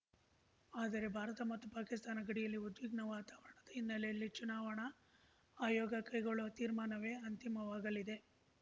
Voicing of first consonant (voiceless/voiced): voiced